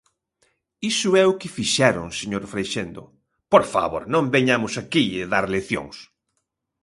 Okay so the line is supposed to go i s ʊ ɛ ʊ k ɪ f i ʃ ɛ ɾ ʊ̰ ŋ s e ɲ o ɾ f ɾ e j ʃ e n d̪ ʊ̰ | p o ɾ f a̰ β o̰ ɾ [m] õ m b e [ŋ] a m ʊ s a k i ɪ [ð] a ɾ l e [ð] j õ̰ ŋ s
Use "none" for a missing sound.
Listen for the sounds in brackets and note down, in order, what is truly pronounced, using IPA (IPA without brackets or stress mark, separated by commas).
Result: n, ɲ, ð, θ